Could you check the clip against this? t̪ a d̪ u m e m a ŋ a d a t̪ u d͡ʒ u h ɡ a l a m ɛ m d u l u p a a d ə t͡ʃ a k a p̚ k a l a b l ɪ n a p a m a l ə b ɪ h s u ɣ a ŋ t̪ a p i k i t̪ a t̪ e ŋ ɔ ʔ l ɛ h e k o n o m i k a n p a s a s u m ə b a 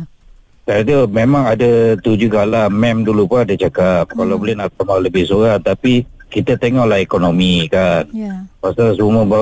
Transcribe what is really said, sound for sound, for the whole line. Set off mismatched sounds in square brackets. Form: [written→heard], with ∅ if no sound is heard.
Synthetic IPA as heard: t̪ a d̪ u m e m a ŋ a d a t̪ u d͡ʒ u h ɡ a l a m ɛ m d u l u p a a d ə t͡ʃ a k a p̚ k a l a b l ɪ n a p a m a l ə b ɪ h s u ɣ a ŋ t̪ a p i k i t̪ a t̪ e ŋ ɔ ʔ l [ɛ→a] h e k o n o m i k a n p a s a s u m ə b a